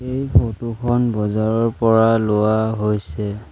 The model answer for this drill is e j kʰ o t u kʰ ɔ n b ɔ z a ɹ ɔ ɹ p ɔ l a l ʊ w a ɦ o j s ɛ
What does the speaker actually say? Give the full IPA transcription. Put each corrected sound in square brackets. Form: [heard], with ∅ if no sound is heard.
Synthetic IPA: e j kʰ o t u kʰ ɔ n b ɔ z a ɹ ɔ ɹ p ɔ [ɹ] a l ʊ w a ɦ o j s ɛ